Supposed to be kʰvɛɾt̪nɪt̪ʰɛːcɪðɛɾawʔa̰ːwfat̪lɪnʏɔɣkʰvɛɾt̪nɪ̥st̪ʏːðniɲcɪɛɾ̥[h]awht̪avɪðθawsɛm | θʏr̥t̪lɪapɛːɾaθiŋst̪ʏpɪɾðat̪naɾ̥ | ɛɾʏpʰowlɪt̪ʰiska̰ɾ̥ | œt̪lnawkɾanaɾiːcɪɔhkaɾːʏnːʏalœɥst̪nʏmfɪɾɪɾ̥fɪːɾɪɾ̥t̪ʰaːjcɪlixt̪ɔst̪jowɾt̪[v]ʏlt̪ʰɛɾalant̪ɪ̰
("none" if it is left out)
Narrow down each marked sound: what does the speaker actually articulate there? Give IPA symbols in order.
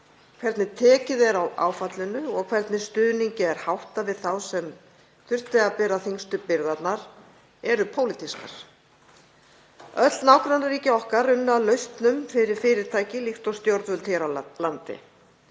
h, v

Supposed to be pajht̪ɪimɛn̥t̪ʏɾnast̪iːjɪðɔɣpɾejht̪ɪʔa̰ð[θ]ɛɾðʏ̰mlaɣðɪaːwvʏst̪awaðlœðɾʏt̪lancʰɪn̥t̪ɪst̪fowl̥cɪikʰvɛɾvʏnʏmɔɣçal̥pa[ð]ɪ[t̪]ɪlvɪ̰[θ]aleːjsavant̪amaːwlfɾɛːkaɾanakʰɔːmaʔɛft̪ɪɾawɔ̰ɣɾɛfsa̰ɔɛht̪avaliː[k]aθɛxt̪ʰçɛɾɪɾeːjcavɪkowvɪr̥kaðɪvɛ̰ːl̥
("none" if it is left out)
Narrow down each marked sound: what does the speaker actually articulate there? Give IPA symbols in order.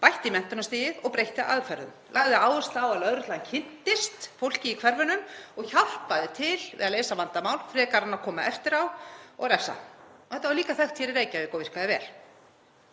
f, ð, t̪ʰ, ð, k

